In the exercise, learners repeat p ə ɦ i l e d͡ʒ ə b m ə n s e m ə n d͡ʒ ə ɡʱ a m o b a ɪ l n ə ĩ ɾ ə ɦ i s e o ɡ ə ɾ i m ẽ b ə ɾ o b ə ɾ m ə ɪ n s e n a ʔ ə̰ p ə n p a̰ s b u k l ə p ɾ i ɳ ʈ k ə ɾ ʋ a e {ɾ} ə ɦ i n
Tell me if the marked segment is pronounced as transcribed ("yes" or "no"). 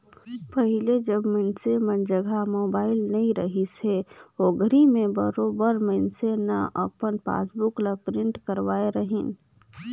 yes